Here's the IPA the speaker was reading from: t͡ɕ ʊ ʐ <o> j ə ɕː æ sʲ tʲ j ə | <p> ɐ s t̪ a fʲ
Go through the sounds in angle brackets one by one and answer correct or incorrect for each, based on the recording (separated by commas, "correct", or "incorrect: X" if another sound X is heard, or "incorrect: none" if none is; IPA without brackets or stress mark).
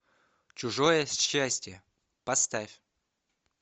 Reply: correct, correct